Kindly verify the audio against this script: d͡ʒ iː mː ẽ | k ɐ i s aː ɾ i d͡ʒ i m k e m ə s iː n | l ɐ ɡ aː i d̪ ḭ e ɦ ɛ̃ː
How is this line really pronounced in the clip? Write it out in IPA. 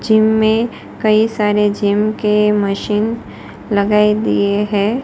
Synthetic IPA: d͡ʒ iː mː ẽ | k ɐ i s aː ɾ e d͡ʒ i m k e m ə ʃ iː n | l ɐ ɡ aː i d̪ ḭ e ɦ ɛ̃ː